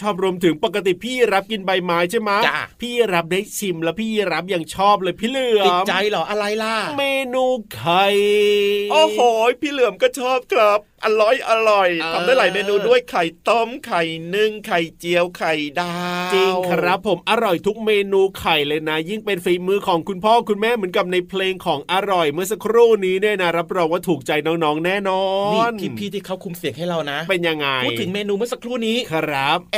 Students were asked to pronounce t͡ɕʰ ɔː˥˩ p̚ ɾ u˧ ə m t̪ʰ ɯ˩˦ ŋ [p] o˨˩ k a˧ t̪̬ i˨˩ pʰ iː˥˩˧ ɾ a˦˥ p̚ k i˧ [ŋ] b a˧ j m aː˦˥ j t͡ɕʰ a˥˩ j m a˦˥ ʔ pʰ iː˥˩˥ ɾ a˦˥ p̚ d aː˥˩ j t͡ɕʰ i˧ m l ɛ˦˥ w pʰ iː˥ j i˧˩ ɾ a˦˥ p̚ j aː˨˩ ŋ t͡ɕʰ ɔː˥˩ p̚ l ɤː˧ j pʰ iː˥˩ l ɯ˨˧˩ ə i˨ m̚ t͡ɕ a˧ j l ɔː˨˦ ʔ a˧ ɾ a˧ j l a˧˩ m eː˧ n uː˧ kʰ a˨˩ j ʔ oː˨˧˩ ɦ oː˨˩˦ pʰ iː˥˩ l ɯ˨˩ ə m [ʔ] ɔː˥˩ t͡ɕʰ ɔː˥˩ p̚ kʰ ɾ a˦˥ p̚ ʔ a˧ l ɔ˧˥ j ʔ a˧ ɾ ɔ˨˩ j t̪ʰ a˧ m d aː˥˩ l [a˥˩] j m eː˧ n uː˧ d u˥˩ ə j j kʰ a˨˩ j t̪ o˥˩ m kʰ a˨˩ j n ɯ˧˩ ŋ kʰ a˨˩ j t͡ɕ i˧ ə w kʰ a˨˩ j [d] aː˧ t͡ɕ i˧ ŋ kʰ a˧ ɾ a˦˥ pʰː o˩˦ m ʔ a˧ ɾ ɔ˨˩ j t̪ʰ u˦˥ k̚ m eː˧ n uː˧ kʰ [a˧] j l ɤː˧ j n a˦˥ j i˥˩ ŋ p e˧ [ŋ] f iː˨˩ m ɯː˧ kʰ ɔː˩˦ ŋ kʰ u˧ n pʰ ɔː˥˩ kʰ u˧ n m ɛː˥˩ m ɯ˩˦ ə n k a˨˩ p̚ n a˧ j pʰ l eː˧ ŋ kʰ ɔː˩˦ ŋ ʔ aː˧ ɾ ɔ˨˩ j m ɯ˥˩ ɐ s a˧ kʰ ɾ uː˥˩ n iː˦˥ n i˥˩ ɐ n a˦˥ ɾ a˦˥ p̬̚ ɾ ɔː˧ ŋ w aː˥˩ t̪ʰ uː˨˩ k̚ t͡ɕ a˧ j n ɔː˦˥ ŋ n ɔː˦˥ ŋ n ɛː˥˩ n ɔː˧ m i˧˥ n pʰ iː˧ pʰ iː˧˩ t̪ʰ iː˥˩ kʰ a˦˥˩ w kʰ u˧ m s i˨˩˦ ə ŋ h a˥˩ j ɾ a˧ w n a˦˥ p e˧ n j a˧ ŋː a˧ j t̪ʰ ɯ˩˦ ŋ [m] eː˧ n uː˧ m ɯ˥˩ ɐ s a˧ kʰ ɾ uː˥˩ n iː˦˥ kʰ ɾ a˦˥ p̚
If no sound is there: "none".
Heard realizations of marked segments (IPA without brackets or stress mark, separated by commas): p, n, k, a˨˦, d, a˨˩, n, m